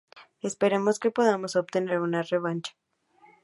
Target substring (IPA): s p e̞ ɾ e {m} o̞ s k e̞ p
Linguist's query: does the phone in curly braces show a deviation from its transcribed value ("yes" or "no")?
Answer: no